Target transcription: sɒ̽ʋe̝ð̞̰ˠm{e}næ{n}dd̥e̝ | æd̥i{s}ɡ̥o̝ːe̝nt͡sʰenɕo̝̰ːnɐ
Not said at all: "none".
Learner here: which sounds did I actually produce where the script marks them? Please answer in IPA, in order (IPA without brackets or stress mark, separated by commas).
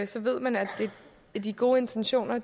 æ, none, none